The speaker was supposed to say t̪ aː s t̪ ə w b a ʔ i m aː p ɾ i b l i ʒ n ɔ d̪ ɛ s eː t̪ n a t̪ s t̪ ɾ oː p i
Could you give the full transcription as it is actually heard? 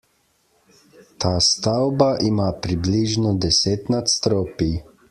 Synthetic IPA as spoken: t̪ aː s t̪ a w b a ʔ i m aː p ɾ i b l i ʒ n ɔ d̪ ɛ s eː t̪ n a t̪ s t̪ ɾ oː p i